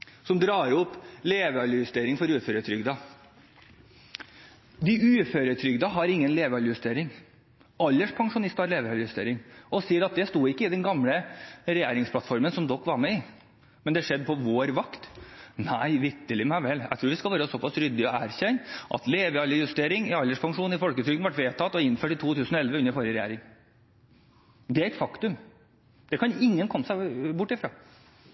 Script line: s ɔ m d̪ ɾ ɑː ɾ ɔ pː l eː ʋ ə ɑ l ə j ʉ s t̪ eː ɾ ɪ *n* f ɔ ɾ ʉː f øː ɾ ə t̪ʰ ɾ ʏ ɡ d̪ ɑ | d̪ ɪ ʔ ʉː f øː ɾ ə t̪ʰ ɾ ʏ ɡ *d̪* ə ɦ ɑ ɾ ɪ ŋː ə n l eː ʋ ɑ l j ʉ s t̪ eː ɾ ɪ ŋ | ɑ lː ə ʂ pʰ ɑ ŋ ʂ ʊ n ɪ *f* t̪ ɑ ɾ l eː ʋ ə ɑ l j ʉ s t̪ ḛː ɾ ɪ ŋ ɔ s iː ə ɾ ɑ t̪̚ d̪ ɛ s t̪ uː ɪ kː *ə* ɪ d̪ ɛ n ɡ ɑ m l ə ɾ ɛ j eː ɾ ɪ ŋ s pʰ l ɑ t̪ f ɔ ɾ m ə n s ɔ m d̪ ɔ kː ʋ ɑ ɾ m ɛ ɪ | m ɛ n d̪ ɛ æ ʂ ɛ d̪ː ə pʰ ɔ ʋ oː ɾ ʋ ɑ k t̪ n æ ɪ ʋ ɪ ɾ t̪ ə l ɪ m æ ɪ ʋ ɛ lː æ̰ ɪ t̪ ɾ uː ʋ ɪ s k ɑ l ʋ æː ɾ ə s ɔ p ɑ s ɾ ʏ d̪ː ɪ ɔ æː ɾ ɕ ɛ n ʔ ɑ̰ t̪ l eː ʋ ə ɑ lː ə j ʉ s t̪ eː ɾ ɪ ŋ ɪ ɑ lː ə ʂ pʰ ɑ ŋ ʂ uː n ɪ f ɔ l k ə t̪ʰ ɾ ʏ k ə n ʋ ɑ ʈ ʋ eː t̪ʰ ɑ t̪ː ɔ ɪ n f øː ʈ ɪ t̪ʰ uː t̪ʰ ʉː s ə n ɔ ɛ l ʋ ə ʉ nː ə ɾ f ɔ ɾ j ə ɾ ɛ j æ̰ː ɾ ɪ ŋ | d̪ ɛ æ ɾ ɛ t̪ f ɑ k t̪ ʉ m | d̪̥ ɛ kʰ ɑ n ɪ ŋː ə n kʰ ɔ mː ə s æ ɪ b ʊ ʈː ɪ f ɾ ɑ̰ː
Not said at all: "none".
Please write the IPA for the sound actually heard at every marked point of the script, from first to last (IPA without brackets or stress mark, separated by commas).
ŋ, d̪, s, ə